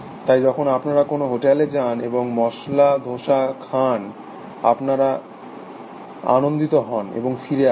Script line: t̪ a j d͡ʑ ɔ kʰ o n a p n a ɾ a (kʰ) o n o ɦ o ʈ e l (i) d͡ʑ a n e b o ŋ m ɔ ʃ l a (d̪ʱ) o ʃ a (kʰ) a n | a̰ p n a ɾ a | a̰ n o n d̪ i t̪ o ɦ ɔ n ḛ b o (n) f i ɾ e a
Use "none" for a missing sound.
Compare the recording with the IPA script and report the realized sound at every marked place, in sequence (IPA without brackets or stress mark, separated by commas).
k, e, d̪ʱ, kʰ, ŋ